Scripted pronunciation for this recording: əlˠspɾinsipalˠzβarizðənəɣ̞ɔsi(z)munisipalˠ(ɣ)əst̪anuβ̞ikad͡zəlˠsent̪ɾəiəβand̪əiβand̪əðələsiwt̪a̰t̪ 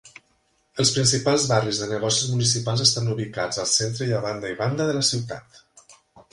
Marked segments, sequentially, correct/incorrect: correct, incorrect: z

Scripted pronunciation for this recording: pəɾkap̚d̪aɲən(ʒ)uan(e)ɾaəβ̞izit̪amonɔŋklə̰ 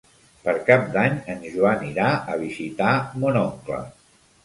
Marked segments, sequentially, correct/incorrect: correct, incorrect: i

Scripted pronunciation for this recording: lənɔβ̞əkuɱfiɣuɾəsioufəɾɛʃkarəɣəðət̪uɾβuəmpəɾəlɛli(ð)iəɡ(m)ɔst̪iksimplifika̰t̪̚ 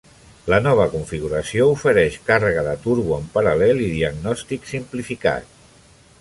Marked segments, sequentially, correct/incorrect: correct, incorrect: n

